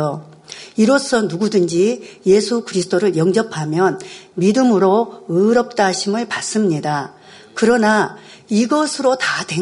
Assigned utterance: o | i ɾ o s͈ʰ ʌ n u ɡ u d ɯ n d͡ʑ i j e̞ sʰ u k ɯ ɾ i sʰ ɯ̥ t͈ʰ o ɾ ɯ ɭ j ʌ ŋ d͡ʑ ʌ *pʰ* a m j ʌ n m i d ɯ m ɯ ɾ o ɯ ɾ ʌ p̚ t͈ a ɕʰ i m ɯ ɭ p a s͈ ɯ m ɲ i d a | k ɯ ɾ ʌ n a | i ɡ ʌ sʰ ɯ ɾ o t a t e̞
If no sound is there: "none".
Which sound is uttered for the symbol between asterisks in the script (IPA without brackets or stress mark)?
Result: pʰ